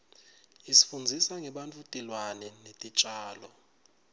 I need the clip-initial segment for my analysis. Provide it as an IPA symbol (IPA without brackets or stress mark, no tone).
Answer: i